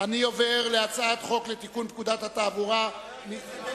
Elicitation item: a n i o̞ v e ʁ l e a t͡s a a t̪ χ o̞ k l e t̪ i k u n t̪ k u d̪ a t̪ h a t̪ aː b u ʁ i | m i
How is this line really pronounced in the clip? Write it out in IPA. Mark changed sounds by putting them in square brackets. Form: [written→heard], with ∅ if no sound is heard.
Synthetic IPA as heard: a n i o̞ v e ʁ l e a t͡s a a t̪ χ o̞ k l e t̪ i k u n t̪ k u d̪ a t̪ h a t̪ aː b u ʁ [i→a] | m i

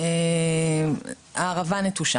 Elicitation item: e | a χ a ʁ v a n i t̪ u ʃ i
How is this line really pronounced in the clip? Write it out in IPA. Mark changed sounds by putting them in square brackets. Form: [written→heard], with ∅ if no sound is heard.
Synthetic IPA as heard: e | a [χ→ʁ] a [ʁ→∅] v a n [i→e] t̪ u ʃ [i→a]

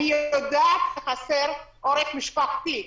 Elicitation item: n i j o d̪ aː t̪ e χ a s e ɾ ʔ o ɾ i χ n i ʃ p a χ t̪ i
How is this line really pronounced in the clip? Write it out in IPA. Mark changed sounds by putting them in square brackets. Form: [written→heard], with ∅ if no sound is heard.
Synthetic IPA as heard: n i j o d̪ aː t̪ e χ a s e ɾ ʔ o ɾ [i→e] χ [n→m] i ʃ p a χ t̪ i

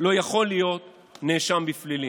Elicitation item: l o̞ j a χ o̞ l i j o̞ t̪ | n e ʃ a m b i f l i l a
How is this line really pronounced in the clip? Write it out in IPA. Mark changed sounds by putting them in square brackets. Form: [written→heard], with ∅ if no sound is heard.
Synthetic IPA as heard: l o̞ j a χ o̞ l i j o̞ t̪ | n e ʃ a m b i f l i l [a→i]

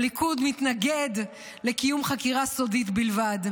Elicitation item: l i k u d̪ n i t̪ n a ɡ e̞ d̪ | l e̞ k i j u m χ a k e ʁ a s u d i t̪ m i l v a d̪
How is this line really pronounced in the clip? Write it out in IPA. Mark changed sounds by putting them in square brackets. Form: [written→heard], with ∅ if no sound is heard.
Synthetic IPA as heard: l i k u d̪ [n→m] i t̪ n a ɡ e̞ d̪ | l e̞ k i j u m χ a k [e→i] ʁ a s [u→o] d i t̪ [m→b] i l v a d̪

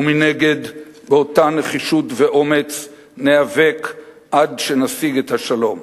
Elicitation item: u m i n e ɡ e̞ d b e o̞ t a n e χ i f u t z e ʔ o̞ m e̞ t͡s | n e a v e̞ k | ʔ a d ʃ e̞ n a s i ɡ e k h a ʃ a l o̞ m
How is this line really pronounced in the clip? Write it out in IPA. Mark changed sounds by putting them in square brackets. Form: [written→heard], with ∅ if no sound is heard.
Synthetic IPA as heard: u m i n e ɡ e̞ d b e o̞ t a n e χ i [f→ʃ] u t [z→v] e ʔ o̞ m e̞ t͡s | n e a v e̞ k | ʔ a d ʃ e̞ n a s i ɡ e [k→t] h a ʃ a l o̞ m

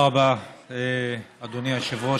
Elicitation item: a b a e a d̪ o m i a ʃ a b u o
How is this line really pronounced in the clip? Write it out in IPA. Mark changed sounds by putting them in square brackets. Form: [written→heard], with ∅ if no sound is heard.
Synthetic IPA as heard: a b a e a d̪ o [m→n] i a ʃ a [b→v] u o

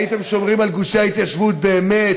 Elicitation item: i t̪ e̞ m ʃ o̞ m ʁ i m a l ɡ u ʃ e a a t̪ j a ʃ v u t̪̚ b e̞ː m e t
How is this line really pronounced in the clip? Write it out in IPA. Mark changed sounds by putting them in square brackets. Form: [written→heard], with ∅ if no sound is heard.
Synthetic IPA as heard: i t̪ e̞ m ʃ o̞ m ʁ i m a l ɡ u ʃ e a [a→i] t̪ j a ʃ v u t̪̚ b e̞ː m e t

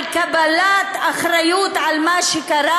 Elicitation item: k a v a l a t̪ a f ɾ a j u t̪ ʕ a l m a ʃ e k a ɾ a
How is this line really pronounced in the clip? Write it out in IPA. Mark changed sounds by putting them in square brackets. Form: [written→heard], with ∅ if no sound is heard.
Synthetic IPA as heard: k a [v→b] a l a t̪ a [f→χ] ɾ a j u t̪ ʕ a l m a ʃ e k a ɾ a

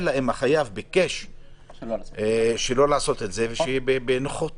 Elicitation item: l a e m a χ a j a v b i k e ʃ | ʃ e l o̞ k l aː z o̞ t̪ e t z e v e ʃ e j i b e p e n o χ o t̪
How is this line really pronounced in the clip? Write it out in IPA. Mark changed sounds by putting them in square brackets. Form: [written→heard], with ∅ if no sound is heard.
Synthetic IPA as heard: l a e m a χ a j a v b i k e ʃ | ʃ e l o̞ [k→∅] l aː [z→s] o̞ t̪ e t z e v e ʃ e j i b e [p→b] e n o χ o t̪

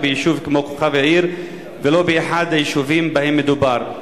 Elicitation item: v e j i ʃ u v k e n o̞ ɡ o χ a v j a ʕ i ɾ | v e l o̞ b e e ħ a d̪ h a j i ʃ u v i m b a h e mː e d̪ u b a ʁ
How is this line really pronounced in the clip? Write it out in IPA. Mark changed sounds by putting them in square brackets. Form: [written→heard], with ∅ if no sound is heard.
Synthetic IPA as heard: [v→b] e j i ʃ u v k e [n→m] o̞ [ɡ→k] o χ a v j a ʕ i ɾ | v e l o̞ b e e ħ a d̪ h a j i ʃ u v i m b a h e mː e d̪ u b a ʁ

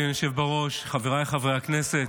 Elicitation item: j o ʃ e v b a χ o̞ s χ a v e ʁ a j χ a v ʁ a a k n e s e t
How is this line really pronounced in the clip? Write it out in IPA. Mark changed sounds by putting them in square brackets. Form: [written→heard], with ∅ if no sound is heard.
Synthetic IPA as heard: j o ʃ e v b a [χ→ʁ] o̞ [s→ʃ] χ a v e ʁ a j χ a v ʁ [a→e] a k n e s e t

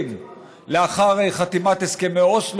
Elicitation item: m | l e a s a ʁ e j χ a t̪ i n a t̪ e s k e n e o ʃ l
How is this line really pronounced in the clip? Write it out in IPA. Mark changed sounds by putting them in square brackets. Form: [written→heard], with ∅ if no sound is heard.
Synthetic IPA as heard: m | l e a [s→χ] a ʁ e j χ a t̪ i [n→m] a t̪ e s k e [n→m] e o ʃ l

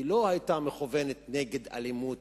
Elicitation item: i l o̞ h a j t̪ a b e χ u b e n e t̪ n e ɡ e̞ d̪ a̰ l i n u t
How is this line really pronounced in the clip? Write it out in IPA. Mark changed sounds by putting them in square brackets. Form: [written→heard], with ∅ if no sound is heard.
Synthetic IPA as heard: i l o̞ h a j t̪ a [b→m] e χ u [b→v] e n e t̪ n e ɡ e̞ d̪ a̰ l i [n→m] u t

